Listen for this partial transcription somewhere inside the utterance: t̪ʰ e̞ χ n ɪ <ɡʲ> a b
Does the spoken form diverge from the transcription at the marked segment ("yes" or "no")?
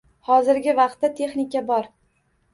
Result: yes